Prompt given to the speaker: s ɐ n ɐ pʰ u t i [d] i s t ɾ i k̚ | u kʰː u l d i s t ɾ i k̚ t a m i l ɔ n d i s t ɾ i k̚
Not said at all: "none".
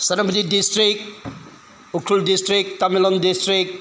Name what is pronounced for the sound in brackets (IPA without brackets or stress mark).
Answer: d